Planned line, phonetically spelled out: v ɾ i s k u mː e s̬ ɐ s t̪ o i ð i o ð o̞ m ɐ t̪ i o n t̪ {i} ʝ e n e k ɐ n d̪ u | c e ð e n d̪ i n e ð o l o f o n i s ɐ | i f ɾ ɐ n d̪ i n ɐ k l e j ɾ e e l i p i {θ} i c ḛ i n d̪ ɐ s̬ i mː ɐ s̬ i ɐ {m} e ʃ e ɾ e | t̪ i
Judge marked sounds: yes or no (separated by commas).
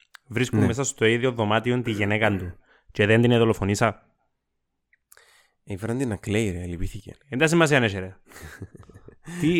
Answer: yes, yes, no